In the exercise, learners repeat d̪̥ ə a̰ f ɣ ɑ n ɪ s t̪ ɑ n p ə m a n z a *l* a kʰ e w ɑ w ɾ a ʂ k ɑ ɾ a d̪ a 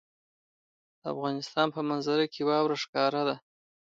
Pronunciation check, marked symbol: incorrect: ɾ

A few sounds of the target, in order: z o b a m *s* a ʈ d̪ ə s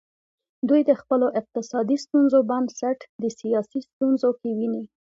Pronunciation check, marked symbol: correct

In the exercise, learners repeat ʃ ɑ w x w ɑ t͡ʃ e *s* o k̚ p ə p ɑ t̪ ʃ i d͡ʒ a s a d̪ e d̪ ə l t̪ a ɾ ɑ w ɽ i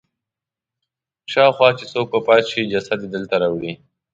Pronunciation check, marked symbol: correct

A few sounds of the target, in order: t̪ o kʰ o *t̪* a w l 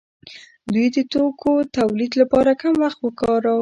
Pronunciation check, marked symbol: correct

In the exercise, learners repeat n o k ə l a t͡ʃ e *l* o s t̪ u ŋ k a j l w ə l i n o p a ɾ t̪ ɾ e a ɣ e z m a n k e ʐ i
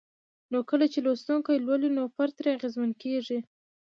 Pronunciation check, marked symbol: correct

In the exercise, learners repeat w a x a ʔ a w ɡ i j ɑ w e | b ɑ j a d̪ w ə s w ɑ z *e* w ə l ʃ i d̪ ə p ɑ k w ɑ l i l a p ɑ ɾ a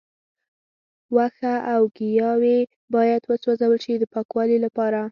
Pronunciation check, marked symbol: incorrect: a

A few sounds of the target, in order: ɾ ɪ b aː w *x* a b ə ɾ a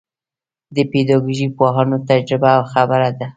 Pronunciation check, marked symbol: correct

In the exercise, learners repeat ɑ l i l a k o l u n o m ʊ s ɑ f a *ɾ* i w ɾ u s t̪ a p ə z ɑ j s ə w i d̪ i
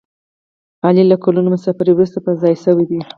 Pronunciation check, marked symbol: correct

